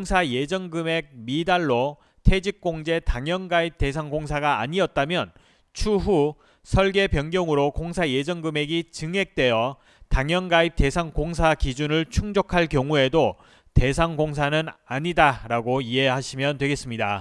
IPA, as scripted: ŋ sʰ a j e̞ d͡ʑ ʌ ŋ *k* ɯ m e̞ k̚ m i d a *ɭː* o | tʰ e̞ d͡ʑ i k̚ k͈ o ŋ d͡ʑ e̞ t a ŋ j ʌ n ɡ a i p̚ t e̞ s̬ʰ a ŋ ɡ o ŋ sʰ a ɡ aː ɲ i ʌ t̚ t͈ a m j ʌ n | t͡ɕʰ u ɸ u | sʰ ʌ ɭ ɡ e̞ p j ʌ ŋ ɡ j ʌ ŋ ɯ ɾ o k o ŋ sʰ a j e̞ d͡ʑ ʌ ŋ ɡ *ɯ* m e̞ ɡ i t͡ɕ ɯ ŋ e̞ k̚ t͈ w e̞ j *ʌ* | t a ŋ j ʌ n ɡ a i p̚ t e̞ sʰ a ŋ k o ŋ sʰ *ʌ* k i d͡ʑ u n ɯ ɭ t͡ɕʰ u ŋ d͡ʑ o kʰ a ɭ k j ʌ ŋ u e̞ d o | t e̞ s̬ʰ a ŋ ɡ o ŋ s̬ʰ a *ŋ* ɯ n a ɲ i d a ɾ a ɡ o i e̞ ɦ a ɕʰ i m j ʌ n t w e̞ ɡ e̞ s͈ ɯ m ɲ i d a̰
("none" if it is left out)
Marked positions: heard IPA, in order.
ɡ, ɭː, ɯ, ʌ, a, n

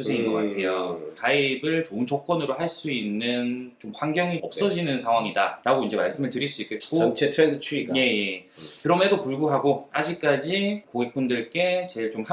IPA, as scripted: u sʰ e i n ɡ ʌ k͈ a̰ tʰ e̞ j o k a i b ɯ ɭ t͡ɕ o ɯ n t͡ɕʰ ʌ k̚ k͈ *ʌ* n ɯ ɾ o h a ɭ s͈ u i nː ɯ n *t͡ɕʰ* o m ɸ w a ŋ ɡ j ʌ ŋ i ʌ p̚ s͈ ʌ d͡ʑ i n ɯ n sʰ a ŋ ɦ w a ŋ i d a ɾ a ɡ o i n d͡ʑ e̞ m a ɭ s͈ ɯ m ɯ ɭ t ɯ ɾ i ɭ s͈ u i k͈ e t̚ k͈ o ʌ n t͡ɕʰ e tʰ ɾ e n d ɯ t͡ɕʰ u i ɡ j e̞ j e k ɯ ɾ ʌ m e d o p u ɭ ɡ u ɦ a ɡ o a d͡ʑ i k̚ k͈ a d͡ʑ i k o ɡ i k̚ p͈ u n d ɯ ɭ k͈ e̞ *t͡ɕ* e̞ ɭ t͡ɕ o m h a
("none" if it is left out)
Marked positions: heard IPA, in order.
ʌ, t͡ɕ, t͡ɕ

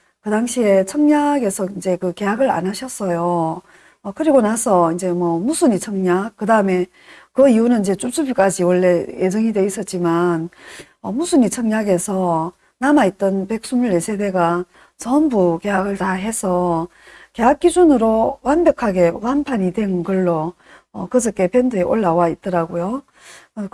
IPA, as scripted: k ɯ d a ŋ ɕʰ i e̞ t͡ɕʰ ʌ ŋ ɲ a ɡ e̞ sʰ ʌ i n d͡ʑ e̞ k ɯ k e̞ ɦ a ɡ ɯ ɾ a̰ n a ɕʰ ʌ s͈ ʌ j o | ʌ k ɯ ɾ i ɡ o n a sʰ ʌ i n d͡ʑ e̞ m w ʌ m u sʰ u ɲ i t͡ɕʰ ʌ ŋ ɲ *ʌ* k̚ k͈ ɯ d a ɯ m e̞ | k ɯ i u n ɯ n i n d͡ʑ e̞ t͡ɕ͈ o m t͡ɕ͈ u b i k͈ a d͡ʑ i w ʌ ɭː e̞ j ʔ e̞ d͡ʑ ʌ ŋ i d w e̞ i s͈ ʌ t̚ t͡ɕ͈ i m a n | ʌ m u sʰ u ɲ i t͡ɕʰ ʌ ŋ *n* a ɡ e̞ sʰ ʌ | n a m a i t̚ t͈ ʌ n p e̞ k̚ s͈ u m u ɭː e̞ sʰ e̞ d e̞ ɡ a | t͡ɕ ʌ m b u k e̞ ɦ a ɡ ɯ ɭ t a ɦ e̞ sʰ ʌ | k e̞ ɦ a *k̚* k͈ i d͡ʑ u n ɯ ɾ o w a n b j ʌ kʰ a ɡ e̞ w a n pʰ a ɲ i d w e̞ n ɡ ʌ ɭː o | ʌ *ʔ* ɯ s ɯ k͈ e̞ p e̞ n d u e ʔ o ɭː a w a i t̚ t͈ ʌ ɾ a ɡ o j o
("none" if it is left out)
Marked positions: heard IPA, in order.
a, ɲ, k̚, k

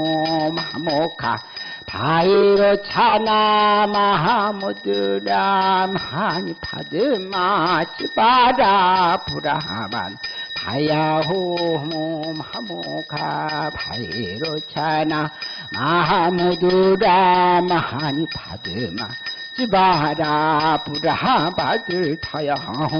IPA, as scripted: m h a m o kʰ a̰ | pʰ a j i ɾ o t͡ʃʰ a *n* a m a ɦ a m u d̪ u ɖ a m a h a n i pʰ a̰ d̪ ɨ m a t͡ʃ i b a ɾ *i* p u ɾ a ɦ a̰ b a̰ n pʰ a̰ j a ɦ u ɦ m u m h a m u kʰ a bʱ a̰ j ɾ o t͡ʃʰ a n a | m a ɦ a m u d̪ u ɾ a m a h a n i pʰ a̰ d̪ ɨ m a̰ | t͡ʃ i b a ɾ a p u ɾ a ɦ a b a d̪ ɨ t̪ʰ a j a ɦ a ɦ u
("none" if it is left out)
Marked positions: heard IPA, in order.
n, a

